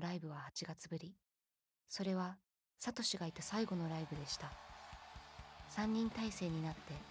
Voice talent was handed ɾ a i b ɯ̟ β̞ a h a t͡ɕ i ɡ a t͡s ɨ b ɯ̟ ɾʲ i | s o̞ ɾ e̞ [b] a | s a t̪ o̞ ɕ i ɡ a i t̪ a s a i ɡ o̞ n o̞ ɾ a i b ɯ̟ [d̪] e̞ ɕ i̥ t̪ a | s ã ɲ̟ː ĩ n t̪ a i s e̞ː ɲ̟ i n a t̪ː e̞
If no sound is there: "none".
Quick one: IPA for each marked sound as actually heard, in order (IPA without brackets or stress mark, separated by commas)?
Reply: β, d̪